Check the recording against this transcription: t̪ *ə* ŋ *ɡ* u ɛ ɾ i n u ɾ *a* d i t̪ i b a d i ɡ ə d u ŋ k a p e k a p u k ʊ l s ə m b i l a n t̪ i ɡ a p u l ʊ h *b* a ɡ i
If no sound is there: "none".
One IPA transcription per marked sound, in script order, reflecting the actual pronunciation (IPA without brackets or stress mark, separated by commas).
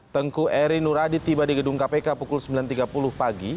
ə, k, a, p